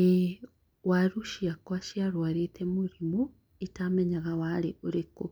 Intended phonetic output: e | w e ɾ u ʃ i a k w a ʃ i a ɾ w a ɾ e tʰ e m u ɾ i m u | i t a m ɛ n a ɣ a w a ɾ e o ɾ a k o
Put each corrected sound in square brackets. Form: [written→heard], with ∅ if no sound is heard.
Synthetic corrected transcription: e | w [e→a] ɾ u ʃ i a k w a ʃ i a ɾ w a ɾ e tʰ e m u ɾ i m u | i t a m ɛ [n→ɲ] a ɣ a w a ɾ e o ɾ [a→e] k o